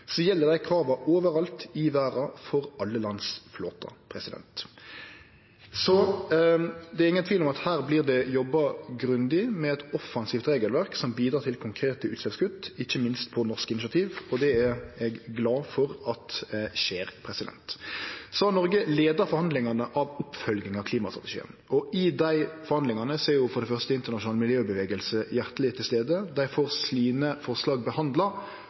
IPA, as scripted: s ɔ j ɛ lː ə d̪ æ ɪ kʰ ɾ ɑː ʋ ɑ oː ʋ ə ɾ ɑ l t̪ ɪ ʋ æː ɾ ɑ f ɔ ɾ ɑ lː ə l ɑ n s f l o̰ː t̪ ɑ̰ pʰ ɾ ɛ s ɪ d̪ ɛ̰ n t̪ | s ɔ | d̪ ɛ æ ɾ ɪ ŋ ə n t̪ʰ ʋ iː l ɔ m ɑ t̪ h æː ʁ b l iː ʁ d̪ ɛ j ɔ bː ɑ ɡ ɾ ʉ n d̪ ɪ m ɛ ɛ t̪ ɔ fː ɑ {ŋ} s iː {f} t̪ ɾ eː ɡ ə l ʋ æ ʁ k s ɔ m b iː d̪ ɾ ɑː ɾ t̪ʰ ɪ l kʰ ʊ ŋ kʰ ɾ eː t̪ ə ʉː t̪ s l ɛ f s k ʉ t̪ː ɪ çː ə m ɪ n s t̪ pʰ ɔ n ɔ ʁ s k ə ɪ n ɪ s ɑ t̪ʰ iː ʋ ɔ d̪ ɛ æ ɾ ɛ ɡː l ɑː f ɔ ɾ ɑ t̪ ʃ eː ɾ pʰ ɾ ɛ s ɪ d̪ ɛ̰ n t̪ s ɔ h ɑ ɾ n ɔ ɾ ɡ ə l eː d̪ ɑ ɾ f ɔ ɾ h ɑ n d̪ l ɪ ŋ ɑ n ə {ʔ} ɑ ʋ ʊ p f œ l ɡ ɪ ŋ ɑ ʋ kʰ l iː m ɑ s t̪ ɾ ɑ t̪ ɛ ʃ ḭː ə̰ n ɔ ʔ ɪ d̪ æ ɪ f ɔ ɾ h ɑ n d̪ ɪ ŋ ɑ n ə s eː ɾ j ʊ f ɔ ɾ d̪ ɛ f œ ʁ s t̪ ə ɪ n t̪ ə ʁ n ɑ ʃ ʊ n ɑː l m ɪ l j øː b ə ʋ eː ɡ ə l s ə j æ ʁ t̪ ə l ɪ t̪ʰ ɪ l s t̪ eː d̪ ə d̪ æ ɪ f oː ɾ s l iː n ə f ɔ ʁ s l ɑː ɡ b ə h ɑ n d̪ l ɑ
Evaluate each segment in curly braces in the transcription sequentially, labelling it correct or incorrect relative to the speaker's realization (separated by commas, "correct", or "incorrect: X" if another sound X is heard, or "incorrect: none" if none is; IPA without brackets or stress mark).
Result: incorrect: n, correct, correct